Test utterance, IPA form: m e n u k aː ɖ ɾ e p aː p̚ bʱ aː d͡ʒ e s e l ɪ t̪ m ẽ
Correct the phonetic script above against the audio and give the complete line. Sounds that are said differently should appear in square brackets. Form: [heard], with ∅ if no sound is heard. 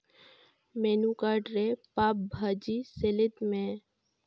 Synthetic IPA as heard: m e n u k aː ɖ ɾ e p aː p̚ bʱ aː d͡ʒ [i] s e l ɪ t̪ m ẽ